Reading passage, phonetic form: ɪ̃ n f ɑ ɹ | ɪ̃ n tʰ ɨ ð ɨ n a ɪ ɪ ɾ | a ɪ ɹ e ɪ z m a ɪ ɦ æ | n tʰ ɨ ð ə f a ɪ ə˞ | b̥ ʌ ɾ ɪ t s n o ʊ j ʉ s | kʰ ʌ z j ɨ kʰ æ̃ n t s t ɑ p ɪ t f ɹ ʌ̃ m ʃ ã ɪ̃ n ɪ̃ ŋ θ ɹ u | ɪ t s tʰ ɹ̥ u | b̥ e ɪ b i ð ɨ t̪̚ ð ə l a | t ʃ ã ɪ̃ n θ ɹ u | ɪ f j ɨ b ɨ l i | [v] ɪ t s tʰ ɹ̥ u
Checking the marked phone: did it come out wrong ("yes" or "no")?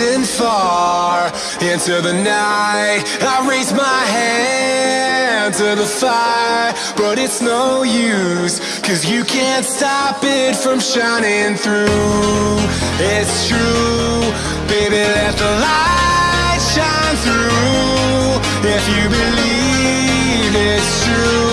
no